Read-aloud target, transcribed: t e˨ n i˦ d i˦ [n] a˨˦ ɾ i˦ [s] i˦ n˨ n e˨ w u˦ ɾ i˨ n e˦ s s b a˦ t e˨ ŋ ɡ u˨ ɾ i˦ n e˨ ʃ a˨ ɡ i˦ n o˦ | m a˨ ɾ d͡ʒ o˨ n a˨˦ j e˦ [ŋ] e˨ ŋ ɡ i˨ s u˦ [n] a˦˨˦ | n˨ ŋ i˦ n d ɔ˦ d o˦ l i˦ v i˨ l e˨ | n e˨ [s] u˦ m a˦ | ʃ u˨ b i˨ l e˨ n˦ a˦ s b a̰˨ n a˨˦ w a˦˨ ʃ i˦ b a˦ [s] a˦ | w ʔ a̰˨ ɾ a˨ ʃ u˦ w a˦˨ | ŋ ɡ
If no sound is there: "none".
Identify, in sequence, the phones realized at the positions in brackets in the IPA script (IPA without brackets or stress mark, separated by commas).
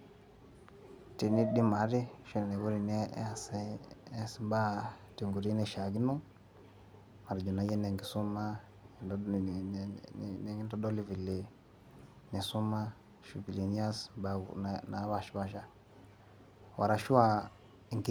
m, ʃ, n, m, s, ʃ